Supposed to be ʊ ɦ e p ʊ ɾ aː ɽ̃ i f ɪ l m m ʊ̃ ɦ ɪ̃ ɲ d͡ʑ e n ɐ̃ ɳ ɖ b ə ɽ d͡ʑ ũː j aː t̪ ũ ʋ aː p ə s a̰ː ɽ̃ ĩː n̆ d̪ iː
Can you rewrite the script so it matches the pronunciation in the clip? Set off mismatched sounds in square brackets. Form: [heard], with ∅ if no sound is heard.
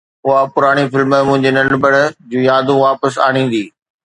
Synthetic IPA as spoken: ʊ ɦ [a] p ʊ ɾ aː ɽ̃ i f ɪ l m m ʊ̃ ɦ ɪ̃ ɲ d͡ʑ e n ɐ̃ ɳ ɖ b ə ɽ d͡ʑ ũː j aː [d̪] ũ ʋ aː p ə s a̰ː ɽ̃ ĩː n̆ d̪ iː